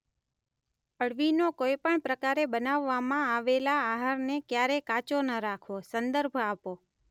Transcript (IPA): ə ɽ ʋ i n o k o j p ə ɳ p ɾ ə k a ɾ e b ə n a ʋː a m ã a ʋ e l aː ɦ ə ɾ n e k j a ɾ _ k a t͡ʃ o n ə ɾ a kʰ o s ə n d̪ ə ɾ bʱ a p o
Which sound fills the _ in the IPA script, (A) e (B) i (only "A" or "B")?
A